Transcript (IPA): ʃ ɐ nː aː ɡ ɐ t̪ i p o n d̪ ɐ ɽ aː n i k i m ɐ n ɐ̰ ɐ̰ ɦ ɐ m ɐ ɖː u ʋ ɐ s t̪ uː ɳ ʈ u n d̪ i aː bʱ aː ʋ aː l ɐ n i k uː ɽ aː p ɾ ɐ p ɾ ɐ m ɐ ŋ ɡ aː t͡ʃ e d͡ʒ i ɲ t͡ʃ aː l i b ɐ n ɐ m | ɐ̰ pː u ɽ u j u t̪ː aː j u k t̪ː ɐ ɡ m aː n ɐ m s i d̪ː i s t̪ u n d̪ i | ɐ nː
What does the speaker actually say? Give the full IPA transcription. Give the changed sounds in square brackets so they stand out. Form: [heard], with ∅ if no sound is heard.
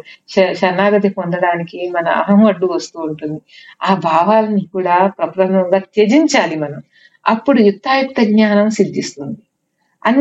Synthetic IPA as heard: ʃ ɐ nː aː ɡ ɐ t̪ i p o n d̪ ɐ ɽ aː n i k i m ɐ n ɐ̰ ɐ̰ ɦ ɐ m ɐ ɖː u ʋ ɐ s t̪ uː ɳ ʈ u n d̪ i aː bʱ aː ʋ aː l ɐ n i k uː ɽ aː p ɾ ɐ p ɾ ɐ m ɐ ŋ ɡ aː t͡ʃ e d͡ʒ i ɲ t͡ʃ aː l i [m] ɐ n ɐ m | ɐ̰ pː u ɽ u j u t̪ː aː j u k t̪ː ɐ ɡ [ɲ] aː n ɐ m s i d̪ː i s t̪ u n d̪ i | ɐ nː